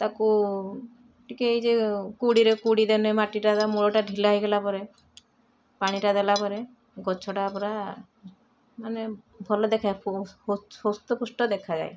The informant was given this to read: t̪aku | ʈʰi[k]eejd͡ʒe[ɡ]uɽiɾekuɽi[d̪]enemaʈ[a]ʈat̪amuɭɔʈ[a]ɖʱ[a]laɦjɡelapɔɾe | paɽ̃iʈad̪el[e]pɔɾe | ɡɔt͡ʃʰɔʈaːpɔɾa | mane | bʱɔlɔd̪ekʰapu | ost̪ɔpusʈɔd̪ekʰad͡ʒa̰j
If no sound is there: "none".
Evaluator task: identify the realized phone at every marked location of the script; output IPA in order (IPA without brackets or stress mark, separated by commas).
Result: k, k, d̪, i, a, i, a